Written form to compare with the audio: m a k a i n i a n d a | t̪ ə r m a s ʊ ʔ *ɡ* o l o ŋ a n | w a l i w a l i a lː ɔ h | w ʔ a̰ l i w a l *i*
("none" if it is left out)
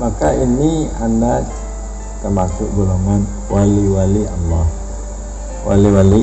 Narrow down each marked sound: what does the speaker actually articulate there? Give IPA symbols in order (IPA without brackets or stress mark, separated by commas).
ɡ, i